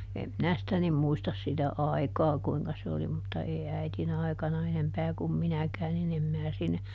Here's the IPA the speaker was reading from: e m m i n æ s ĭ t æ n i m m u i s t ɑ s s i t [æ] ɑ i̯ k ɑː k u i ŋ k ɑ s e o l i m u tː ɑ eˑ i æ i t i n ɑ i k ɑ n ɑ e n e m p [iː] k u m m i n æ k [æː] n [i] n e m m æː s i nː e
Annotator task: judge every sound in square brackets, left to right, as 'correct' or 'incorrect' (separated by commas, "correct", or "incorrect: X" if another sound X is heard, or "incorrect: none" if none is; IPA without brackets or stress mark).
correct, incorrect: æː, correct, correct